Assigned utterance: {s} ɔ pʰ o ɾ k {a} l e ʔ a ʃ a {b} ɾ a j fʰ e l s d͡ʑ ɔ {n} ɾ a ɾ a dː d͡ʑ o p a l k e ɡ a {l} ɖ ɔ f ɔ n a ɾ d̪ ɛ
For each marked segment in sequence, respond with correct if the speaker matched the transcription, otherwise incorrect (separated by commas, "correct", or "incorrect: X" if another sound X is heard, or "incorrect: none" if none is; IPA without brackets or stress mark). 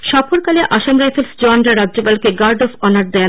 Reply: incorrect: ʃ, correct, incorrect: m, correct, incorrect: ɾ